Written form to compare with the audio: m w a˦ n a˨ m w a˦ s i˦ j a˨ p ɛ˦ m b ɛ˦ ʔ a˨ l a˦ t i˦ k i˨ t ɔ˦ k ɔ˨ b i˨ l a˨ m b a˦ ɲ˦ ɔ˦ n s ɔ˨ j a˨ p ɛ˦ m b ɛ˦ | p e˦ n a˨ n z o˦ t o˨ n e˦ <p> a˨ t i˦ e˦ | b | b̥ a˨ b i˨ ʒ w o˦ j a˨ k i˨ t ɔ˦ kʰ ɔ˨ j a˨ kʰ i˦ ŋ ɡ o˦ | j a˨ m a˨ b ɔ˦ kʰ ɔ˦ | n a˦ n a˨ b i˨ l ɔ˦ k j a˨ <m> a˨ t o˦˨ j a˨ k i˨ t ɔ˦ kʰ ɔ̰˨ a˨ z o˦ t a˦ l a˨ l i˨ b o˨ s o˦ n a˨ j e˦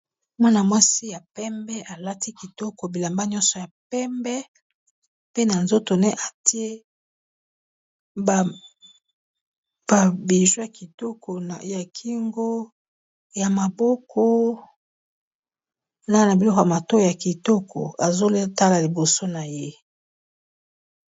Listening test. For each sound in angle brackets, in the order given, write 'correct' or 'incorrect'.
incorrect: ʔ, correct

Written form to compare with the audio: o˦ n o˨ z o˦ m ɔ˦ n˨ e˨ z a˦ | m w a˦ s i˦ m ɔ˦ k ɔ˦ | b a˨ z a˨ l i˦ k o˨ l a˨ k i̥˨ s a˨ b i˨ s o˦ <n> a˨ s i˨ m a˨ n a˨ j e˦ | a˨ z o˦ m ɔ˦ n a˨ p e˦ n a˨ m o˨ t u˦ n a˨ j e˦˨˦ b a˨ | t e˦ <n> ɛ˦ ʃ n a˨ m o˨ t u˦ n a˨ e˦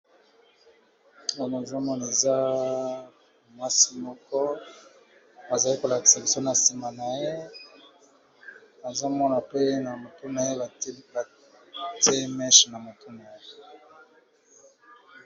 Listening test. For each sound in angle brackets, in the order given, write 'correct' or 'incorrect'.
correct, incorrect: m

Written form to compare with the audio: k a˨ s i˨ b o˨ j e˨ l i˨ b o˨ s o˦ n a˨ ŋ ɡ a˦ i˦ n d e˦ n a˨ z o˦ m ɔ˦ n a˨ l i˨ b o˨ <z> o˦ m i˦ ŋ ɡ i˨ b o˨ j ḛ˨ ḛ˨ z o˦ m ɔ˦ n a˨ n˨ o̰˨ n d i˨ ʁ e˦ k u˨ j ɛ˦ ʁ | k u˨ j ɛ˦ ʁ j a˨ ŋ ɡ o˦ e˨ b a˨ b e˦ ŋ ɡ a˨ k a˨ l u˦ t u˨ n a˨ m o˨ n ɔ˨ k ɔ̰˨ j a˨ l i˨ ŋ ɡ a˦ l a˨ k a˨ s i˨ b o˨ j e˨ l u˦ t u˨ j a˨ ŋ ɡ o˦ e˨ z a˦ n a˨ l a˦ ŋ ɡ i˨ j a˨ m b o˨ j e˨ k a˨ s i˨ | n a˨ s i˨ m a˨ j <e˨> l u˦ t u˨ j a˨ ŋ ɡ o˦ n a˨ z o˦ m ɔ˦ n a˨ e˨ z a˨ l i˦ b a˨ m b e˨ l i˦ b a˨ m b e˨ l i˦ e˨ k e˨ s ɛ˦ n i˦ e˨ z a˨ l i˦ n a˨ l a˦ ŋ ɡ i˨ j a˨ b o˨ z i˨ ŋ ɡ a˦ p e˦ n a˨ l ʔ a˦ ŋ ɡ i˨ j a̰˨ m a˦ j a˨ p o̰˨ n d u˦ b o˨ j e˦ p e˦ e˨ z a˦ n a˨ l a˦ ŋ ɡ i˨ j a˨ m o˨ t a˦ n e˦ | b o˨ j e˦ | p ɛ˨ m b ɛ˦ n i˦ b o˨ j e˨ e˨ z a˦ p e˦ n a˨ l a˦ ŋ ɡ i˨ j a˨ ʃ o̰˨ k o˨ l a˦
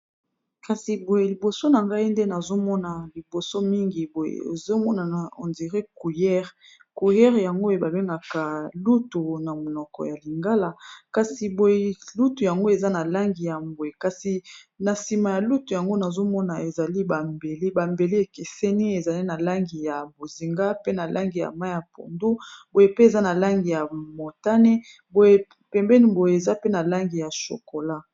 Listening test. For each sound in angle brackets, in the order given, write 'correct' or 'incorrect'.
incorrect: s, incorrect: a˨

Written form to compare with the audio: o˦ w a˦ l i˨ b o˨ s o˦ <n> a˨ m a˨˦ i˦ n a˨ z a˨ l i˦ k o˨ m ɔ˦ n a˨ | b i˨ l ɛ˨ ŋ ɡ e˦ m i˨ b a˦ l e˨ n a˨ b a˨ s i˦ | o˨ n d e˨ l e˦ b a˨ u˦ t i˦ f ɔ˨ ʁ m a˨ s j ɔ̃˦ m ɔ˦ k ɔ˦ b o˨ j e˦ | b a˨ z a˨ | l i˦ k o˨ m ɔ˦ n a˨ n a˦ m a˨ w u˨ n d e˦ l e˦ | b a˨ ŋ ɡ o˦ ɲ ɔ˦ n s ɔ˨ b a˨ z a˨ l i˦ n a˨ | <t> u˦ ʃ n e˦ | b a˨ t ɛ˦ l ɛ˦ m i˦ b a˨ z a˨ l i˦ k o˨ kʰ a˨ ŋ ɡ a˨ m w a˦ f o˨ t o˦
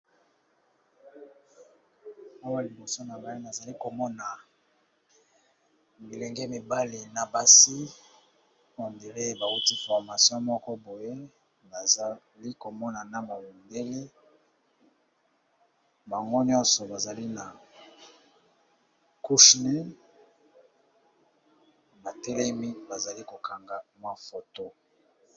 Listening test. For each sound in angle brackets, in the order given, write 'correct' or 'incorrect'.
correct, incorrect: k

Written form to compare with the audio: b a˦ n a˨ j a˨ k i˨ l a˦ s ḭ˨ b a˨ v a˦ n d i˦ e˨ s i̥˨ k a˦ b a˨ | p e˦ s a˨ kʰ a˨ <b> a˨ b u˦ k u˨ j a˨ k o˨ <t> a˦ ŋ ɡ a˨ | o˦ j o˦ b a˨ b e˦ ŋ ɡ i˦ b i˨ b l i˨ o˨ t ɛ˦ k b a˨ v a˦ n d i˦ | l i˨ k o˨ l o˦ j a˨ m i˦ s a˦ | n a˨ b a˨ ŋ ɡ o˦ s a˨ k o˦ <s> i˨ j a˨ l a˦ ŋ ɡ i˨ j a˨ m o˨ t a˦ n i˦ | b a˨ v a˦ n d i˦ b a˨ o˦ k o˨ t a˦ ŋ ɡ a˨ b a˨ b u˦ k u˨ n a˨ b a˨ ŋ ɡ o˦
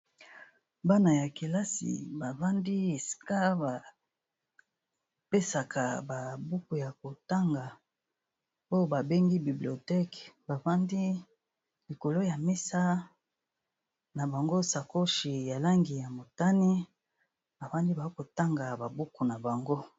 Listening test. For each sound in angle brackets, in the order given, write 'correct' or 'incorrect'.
correct, correct, incorrect: ʃ

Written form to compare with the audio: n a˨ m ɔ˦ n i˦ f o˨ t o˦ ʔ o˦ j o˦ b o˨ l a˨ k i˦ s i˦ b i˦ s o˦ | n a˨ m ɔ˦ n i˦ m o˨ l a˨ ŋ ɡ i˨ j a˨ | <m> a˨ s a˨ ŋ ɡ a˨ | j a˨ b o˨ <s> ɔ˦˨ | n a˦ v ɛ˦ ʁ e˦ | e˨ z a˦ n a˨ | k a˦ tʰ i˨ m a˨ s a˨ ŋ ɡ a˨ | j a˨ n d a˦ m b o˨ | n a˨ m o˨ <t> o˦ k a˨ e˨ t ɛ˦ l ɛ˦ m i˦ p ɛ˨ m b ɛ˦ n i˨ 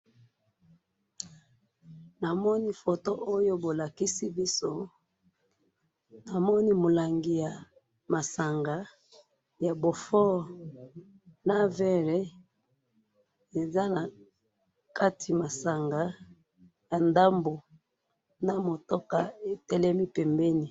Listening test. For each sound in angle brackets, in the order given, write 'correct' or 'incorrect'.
correct, incorrect: f, correct

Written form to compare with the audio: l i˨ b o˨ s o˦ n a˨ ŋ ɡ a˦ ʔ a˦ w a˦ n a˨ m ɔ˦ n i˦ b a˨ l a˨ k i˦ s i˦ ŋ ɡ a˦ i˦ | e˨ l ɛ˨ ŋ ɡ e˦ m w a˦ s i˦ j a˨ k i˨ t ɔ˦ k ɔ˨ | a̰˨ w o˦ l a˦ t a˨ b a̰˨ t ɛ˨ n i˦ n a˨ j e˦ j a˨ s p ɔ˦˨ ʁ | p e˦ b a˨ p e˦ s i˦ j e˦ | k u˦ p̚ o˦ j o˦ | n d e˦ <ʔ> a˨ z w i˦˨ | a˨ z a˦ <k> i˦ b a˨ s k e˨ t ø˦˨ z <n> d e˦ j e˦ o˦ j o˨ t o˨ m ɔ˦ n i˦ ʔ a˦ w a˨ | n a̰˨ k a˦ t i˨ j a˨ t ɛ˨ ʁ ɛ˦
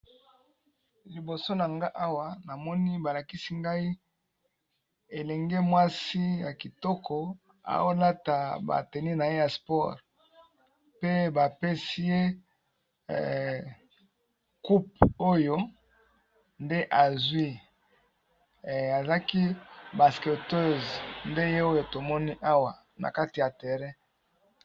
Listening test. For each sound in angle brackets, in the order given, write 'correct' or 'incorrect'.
correct, correct, correct

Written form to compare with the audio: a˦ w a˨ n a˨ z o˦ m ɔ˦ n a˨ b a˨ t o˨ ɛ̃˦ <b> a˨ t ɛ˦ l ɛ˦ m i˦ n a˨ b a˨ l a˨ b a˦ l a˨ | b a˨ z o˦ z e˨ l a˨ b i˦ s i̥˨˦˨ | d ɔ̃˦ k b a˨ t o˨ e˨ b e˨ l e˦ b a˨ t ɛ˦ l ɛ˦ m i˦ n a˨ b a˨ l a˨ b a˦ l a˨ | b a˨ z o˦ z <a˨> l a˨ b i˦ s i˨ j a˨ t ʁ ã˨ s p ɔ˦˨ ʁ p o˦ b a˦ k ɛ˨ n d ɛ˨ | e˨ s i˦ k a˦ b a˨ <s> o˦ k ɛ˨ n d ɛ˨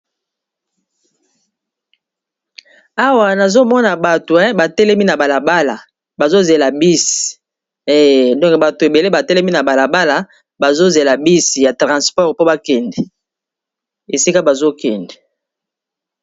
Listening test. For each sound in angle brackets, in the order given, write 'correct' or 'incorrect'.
correct, incorrect: e˨, incorrect: z

